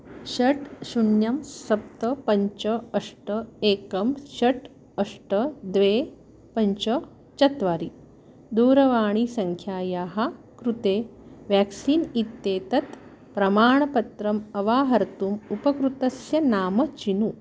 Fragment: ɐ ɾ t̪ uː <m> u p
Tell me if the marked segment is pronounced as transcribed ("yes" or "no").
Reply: yes